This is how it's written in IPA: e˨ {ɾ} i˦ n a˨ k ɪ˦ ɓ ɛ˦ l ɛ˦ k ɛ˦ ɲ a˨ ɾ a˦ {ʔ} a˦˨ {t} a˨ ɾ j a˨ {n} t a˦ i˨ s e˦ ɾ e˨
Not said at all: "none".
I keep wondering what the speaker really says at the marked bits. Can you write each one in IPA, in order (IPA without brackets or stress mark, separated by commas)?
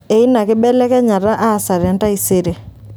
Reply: none, ʔ, s, n